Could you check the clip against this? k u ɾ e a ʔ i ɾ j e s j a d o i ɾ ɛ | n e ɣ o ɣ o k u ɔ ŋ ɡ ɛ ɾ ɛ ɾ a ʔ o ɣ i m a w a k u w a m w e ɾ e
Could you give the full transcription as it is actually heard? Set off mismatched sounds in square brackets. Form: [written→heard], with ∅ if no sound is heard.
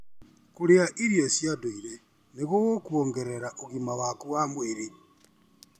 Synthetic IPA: k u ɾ e a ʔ i ɾ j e s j a d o i ɾ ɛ | n e ɣ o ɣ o k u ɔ ŋ ɡ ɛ ɾ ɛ ɾ a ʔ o ɣ i m a w a k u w a m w e ɾ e